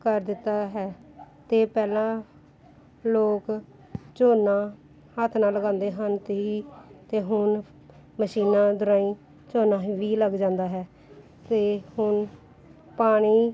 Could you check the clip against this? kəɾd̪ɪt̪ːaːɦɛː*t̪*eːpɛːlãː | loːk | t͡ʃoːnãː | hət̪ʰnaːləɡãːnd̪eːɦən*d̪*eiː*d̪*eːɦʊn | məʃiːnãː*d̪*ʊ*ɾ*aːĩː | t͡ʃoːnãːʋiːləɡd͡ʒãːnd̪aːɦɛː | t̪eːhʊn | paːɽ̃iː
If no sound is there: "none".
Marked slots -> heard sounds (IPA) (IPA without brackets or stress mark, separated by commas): t̪, t̪, t̪, d̪, ɾ